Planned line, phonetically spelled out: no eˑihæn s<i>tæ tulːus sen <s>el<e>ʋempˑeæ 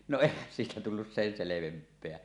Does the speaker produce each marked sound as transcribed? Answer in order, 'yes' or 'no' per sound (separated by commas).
no, yes, yes